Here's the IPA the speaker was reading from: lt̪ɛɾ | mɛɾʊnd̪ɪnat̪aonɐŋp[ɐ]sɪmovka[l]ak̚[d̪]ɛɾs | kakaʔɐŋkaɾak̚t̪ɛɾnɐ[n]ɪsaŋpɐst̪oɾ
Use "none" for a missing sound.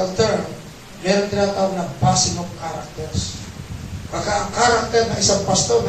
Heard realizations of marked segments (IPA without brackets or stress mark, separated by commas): a, ɾ, t̪, ŋ